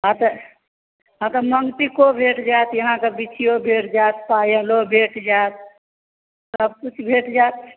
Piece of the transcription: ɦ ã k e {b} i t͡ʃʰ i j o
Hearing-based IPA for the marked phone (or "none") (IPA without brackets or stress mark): b